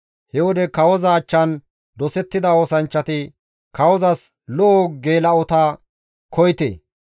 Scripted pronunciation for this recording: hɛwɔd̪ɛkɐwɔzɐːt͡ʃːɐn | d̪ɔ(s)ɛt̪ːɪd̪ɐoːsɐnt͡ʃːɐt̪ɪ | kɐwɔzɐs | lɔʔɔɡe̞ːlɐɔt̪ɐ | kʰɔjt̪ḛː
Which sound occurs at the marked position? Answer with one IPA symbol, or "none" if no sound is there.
s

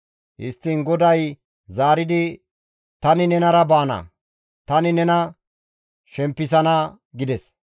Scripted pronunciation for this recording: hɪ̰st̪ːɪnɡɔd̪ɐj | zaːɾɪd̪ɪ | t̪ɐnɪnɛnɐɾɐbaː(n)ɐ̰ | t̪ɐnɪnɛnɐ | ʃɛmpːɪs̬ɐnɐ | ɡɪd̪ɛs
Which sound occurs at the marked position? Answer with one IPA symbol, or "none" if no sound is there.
n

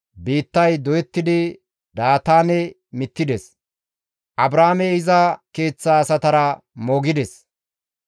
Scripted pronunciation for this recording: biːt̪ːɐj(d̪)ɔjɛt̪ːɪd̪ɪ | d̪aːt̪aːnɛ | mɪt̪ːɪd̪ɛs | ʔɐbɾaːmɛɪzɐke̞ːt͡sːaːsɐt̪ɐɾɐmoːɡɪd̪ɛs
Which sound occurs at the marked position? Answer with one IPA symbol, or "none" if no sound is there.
d̪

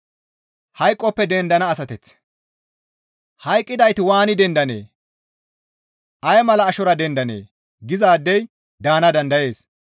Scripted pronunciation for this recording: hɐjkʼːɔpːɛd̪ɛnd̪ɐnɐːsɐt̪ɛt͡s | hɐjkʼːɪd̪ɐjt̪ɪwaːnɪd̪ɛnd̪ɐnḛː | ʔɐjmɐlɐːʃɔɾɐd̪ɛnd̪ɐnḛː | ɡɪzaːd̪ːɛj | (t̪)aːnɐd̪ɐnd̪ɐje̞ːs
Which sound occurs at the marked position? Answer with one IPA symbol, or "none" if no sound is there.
d̪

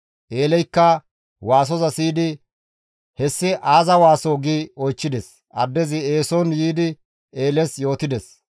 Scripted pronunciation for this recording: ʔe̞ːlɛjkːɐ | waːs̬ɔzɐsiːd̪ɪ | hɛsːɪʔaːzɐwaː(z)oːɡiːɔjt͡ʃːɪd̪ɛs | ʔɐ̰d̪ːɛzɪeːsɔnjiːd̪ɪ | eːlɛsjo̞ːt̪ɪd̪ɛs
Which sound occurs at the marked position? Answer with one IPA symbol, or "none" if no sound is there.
s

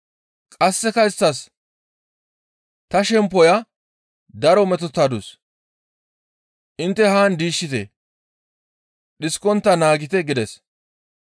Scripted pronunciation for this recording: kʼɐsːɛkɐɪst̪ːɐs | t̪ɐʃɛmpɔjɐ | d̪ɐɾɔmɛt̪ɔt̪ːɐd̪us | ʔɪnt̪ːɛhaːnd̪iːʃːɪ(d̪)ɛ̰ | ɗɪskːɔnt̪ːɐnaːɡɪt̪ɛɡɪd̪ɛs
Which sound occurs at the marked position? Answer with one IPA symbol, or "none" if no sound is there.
t̪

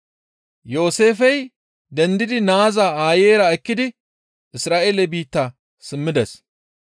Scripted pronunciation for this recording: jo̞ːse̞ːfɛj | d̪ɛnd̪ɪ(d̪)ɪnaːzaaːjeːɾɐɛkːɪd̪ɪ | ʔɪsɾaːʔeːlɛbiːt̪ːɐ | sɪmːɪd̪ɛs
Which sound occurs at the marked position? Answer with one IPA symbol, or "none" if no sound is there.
d̪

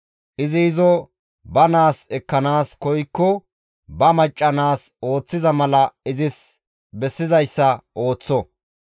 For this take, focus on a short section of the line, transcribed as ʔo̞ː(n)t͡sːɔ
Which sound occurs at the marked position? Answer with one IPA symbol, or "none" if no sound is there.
none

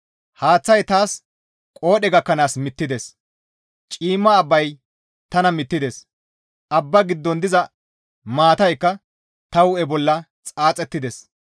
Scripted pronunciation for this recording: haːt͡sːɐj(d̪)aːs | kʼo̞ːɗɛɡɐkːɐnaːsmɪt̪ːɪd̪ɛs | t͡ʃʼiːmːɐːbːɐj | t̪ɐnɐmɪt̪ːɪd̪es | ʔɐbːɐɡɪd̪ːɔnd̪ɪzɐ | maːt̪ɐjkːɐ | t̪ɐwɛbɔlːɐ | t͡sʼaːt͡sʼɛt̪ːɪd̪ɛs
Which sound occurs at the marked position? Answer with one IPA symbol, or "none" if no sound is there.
t̪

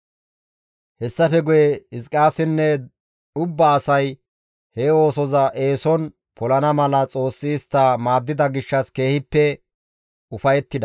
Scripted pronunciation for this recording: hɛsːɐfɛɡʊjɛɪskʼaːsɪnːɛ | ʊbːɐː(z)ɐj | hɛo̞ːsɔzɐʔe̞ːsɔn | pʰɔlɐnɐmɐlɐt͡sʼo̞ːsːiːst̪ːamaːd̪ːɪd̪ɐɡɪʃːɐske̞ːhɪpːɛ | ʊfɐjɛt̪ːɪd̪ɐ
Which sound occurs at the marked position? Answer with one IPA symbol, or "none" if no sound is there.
s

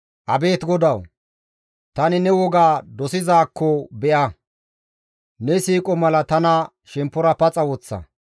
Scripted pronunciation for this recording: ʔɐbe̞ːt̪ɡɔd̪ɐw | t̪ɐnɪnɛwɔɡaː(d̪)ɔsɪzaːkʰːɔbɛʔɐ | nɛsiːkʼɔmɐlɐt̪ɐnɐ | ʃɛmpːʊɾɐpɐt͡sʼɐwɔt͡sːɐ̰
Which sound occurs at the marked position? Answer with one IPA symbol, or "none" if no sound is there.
d̪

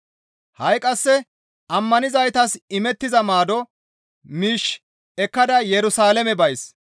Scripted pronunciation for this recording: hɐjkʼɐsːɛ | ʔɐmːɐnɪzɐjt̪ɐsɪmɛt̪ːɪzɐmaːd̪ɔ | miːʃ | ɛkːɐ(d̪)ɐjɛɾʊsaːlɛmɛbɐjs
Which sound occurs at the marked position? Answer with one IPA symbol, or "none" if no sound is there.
d̪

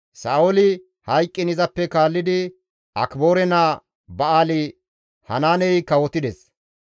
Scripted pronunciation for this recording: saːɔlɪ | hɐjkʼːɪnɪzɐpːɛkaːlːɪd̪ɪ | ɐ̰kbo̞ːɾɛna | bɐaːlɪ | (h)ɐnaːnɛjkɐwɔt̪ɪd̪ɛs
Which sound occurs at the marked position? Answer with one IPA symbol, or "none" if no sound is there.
h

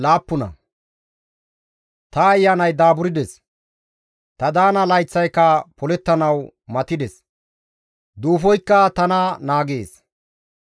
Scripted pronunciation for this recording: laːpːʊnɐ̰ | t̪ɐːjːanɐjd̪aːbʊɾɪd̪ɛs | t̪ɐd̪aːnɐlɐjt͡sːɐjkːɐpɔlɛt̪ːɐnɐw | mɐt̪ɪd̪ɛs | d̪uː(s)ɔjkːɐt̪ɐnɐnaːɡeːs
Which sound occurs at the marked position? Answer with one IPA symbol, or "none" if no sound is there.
f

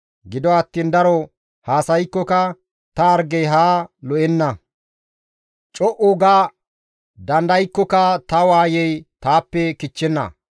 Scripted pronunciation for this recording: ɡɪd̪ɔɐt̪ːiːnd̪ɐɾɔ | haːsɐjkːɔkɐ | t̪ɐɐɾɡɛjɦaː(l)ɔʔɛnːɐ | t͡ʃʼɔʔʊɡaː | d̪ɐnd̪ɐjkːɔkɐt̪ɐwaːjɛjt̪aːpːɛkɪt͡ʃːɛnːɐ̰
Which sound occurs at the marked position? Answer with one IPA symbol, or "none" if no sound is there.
l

